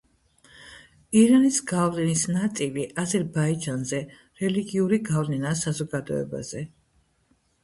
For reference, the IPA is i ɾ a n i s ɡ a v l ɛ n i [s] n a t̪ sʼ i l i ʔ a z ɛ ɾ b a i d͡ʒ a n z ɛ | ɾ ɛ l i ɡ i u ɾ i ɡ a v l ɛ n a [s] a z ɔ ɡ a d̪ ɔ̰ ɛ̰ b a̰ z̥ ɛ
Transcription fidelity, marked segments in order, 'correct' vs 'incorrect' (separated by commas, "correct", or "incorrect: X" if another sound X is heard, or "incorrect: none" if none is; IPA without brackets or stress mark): correct, correct